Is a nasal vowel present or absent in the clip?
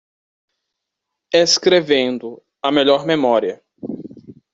present